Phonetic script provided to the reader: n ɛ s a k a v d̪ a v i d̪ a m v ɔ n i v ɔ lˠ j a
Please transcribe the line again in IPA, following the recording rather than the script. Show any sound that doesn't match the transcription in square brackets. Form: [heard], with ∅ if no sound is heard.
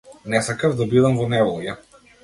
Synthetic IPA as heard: n ɛ s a k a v d̪ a [b] i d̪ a m v ɔ n [ɛ] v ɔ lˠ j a